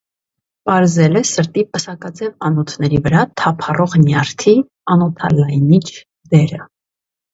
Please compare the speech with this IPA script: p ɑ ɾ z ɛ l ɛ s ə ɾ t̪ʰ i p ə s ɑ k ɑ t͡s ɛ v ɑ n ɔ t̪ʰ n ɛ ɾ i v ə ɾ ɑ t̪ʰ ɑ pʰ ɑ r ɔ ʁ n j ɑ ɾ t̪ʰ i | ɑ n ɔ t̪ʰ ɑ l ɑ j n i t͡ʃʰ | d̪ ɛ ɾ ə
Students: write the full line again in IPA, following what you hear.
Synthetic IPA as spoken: p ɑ ɾ z ɛ l ɛ s ə ɾ t̪ i p ə s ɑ k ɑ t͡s ɛ v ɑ n ɔ t̪ʰ n ɛ ɾ i v ə ɾ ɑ t̪ʰ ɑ pʰ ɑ r ɔ ʁ n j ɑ ɾ t̪ʰ i | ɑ n ɔ t̪ʰ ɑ l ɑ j n i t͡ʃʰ | d̪ ɛ ɾ ə